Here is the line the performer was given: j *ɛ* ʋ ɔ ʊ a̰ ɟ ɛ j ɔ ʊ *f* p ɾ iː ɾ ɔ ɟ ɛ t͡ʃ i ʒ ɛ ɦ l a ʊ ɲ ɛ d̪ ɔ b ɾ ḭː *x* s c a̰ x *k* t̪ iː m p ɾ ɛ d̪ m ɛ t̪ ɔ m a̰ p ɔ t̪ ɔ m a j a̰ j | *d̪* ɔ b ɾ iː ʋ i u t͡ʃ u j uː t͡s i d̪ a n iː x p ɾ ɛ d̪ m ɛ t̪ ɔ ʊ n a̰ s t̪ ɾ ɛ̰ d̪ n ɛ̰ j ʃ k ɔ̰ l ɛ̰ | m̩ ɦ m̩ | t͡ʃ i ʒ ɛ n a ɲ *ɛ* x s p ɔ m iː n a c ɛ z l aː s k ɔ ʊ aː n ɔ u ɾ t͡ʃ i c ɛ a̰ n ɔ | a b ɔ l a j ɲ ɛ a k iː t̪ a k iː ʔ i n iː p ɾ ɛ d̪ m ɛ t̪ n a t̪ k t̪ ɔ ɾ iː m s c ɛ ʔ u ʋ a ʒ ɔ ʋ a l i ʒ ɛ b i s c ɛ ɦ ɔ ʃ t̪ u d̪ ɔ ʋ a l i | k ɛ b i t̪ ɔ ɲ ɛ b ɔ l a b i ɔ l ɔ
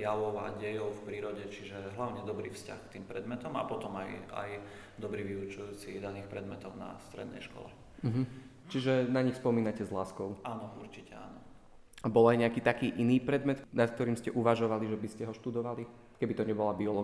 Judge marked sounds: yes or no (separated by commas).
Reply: no, yes, no, yes, yes, no